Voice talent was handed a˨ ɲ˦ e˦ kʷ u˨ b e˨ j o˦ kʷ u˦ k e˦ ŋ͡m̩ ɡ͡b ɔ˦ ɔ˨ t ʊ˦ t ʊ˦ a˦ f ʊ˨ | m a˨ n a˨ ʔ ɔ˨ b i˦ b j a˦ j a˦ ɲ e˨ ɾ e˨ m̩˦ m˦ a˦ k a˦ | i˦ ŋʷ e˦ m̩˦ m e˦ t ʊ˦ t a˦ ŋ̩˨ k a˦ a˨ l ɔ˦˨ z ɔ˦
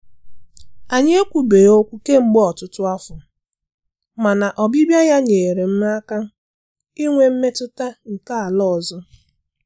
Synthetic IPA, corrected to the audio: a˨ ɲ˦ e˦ kʷ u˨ b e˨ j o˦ kʷ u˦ k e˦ ŋ͡m̩ ɡ͡b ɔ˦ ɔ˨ t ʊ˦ t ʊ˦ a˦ f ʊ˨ | m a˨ n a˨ ʔ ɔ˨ b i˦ b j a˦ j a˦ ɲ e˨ ɾ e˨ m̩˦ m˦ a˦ k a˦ | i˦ ŋʷ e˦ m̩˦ m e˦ t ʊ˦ t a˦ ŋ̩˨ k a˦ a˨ l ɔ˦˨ z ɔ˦